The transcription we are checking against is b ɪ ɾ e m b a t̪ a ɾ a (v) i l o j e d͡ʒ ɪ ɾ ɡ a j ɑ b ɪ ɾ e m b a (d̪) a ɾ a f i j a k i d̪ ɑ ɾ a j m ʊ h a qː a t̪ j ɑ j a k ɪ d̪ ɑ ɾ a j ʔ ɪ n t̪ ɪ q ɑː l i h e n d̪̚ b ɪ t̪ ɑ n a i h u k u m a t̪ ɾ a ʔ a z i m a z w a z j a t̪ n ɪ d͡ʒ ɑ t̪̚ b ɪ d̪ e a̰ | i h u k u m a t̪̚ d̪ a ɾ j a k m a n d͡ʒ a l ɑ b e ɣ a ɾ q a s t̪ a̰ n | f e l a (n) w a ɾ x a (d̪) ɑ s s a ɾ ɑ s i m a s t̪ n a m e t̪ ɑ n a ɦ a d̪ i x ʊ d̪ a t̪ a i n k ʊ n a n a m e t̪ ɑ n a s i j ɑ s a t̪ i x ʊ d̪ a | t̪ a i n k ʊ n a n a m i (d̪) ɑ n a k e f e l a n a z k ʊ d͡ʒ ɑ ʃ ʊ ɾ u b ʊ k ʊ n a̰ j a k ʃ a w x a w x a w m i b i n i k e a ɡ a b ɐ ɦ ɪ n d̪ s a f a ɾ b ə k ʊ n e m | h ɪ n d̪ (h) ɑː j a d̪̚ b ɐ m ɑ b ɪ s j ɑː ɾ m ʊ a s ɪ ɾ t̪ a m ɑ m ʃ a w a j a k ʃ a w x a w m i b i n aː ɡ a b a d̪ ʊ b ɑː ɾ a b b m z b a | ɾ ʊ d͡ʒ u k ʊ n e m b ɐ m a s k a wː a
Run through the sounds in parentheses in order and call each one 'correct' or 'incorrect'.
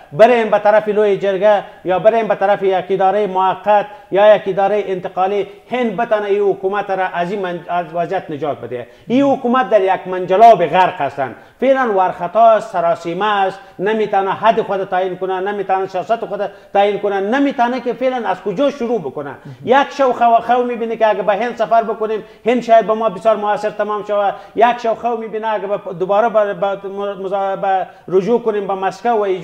incorrect: f, incorrect: t̪, correct, incorrect: t̪, incorrect: t̪, incorrect: ʃ

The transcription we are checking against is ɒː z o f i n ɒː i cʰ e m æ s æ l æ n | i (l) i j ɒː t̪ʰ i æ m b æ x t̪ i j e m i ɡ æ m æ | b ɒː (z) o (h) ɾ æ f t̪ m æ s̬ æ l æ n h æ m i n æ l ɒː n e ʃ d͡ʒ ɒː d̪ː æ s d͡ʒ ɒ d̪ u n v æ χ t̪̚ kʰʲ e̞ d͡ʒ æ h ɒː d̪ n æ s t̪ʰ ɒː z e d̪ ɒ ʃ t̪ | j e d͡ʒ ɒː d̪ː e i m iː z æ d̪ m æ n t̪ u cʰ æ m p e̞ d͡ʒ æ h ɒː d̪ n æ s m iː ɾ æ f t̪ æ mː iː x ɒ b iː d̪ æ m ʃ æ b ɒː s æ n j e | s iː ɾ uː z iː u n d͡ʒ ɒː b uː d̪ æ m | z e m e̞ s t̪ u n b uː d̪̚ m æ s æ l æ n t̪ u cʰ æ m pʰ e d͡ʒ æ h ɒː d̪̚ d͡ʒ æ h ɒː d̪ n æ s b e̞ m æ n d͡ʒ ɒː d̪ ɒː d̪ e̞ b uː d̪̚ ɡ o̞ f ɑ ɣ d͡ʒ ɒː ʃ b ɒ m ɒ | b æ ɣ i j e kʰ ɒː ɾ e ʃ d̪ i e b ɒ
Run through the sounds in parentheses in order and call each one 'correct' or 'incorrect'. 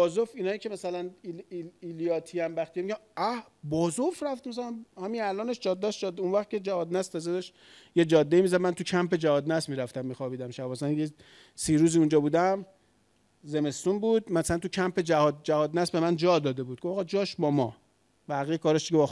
correct, correct, incorrect: f

